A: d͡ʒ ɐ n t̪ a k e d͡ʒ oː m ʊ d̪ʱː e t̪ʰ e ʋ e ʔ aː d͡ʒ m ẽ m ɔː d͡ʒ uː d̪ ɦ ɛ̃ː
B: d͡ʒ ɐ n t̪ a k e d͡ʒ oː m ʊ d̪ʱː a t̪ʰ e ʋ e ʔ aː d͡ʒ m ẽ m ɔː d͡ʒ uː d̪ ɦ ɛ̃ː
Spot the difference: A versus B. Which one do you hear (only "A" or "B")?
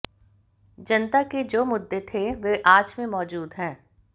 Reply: A